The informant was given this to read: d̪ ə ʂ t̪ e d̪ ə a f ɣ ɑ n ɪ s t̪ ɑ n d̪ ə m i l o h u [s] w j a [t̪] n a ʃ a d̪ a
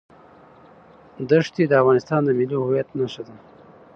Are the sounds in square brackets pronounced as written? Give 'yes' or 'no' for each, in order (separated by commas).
no, yes